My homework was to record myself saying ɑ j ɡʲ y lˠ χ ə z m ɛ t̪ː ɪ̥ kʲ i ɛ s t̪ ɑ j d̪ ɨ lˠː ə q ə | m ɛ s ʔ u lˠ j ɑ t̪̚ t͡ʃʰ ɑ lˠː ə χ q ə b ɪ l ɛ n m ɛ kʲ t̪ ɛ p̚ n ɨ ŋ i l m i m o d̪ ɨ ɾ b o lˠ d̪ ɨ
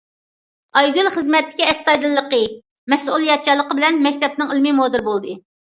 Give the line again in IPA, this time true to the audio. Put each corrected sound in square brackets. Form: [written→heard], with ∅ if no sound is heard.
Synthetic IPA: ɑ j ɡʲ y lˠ χ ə z m ɛ t̪ː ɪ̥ kʲ i ɛ s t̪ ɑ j d̪ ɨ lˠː ə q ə | m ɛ s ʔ u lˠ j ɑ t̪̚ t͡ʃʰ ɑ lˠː ə [χ→∅] q ə b ɪ l ɛ n m ɛ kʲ t̪ ɛ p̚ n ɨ ŋ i l m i m o d̪ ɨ ɾ b o lˠ d̪ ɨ